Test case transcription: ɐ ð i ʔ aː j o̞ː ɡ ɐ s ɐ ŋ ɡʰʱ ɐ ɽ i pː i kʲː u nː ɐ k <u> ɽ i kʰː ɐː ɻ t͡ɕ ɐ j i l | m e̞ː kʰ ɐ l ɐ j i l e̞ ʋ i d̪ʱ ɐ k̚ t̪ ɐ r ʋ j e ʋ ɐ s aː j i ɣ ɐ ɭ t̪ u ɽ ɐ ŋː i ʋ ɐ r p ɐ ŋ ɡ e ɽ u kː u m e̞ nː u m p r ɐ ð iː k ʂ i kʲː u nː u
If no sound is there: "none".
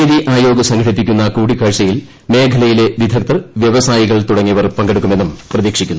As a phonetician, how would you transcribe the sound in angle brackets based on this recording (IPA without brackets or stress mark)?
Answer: uː